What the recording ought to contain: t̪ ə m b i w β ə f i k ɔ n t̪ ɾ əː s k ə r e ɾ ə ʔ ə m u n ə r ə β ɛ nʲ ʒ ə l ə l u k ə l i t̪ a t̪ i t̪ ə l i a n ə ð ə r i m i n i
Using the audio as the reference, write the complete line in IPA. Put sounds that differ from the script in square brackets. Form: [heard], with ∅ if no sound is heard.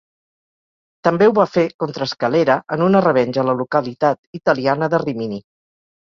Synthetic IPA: t̪ ə m b [e] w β [a] f [e] k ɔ n t̪ ɾ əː s k ə [l] e ɾ ə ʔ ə [n] u n ə r ə β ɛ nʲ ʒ ə l ə l u k ə l i t̪ a t̪ i t̪ ə l i a n ə ð ə r i m i n i